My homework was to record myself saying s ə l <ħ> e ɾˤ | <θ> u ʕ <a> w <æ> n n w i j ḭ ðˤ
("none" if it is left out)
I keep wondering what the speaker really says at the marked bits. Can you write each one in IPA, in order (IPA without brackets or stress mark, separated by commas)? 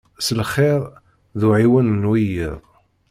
χ, ð, i, æ